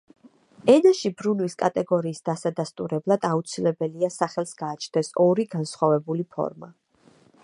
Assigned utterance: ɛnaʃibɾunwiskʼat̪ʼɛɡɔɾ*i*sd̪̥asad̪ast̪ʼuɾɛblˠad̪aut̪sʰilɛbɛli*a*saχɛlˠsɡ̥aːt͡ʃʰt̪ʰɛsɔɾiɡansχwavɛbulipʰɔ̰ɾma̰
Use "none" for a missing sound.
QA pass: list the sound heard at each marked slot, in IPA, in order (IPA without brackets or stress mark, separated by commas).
iː, a